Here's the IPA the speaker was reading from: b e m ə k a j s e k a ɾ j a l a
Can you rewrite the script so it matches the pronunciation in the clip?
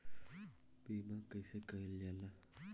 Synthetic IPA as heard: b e m a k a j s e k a l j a l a